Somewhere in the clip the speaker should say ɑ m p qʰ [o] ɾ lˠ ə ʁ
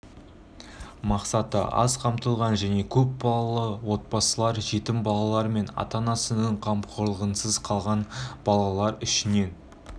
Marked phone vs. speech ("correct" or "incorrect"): correct